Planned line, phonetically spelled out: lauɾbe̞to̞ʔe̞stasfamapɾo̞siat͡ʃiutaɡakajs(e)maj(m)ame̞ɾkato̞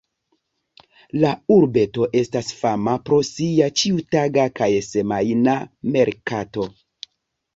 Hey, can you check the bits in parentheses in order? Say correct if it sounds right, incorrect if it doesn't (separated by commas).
correct, incorrect